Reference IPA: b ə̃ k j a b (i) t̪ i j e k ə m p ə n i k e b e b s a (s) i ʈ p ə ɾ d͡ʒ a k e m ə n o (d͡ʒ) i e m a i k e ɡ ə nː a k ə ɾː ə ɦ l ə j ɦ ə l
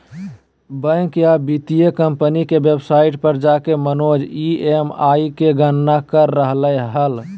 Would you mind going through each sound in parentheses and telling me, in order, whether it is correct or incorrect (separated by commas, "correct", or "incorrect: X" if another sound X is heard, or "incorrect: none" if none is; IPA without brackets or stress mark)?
correct, incorrect: none, correct